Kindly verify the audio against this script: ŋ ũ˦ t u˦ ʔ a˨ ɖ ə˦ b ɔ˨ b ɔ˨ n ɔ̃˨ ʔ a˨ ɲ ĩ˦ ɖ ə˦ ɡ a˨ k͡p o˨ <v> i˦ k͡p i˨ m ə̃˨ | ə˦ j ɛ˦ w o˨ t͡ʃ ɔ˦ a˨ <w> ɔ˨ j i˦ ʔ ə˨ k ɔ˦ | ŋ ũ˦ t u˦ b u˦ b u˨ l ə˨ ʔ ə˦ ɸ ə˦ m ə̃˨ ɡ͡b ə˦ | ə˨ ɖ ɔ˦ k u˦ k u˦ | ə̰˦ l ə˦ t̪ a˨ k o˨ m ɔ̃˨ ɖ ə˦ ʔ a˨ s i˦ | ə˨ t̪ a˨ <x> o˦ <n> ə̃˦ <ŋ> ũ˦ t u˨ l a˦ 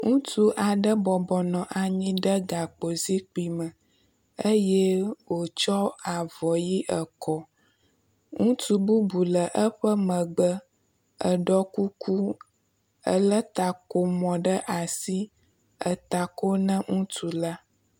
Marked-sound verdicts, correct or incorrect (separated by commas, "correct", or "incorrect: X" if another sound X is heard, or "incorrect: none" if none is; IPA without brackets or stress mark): incorrect: z, incorrect: v, incorrect: k, correct, correct